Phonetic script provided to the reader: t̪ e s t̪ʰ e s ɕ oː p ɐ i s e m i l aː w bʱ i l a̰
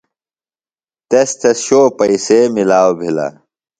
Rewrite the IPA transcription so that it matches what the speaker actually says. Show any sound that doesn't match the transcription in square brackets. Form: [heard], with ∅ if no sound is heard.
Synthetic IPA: t̪ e s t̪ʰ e s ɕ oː p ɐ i s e m i l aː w bʱ i l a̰